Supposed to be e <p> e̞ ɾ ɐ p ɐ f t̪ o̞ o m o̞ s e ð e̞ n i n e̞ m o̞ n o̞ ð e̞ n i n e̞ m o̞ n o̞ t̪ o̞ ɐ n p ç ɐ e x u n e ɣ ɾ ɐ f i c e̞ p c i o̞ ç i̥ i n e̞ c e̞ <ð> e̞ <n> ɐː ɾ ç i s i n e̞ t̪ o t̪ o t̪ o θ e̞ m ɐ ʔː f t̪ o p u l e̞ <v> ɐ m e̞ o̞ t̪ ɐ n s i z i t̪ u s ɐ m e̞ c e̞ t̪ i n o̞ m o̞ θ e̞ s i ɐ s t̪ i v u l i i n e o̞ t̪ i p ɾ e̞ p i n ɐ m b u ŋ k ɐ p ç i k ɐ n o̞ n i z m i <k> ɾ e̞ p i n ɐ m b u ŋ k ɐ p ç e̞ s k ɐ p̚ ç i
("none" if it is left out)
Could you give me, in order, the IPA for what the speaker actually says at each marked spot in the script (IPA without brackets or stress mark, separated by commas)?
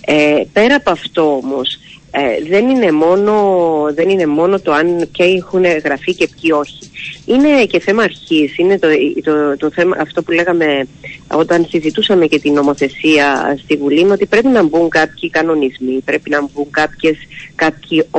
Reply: p, θ, m, ɣ, p